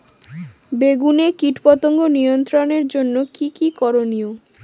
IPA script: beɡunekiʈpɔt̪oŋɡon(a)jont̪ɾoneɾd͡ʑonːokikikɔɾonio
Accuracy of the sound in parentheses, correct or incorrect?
incorrect